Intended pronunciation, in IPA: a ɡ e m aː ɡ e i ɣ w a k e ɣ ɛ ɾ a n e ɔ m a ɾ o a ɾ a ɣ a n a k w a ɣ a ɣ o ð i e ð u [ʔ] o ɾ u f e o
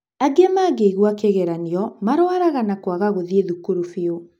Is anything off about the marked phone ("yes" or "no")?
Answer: yes